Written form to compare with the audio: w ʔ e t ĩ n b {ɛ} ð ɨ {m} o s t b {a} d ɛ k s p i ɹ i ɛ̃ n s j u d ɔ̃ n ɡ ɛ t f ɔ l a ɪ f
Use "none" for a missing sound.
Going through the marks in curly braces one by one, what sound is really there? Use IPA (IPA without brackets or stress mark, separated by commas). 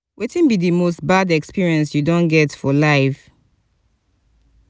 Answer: i, m, a